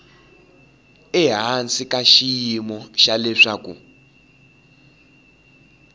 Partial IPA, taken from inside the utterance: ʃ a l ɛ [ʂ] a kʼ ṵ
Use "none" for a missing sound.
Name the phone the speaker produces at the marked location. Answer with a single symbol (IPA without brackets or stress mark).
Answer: ʂ